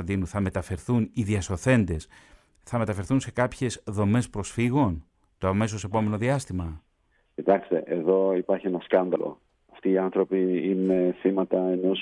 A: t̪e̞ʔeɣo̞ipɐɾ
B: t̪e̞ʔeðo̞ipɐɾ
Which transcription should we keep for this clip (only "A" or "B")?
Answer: B